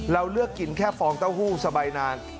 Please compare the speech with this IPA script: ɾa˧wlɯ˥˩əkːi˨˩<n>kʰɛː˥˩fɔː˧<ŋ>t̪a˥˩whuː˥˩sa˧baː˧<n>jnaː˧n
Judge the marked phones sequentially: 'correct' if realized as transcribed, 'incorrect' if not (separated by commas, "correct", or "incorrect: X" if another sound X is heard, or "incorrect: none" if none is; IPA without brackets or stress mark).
correct, correct, incorrect: none